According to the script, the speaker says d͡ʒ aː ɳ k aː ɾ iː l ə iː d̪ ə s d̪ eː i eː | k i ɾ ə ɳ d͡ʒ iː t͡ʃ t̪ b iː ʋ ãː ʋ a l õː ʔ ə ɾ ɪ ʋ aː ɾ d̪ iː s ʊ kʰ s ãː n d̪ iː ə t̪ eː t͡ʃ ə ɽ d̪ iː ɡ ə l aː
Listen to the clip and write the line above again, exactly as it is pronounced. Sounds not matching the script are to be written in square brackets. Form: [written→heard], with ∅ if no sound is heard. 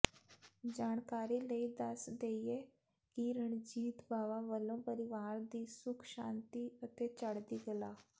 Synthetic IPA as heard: d͡ʒ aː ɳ k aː ɾ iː l ə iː d̪ ə s d̪ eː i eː | k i ɾ ə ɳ d͡ʒ iː [t͡ʃ→∅] t̪ b [iː→aː] ʋ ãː ʋ [a→ə] l õː [ʔ→p] ə ɾ ɪ ʋ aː ɾ d̪ iː s ʊ kʰ [s→ʃ] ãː n [d̪→t̪] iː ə t̪ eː t͡ʃ ə ɽ d̪ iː ɡ ə l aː